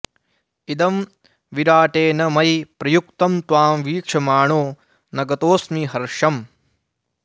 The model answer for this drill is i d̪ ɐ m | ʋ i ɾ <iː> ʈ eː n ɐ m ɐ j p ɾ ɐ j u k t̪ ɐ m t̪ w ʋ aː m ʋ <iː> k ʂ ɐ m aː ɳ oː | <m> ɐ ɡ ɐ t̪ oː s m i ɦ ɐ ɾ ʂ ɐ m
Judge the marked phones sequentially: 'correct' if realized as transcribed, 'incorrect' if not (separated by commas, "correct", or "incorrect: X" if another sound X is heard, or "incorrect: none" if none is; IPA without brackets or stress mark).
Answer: incorrect: aː, correct, incorrect: n